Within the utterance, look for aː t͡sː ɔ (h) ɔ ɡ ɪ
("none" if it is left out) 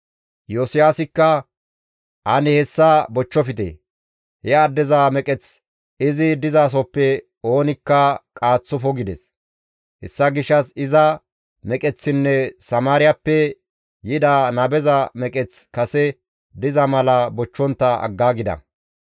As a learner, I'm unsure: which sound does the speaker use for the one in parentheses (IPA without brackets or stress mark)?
f